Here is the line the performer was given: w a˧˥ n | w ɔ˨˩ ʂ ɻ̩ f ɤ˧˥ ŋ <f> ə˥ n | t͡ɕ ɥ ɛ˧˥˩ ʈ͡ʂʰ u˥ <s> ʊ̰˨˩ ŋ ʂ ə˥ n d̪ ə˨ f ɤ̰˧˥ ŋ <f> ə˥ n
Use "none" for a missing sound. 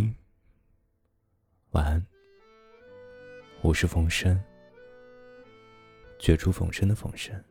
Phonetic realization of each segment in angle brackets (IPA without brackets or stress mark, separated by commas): ʂ, f, ʂ